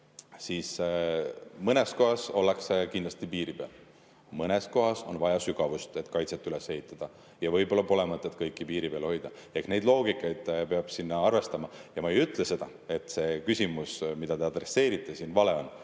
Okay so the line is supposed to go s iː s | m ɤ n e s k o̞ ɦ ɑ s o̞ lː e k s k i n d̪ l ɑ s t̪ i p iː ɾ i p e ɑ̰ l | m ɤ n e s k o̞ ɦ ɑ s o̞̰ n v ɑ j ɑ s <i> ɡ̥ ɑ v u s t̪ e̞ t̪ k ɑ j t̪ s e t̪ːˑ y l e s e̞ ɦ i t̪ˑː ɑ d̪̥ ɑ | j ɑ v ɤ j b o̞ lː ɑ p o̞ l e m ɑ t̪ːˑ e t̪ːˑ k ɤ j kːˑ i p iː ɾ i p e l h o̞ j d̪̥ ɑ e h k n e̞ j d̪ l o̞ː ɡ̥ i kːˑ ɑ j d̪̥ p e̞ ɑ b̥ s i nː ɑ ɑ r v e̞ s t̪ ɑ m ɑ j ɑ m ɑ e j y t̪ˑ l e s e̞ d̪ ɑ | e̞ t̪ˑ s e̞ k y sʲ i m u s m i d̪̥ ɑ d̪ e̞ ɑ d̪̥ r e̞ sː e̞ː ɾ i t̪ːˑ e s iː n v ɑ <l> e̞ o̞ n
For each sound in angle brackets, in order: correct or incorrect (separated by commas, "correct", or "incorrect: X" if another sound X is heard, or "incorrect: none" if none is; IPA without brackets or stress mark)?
incorrect: y, correct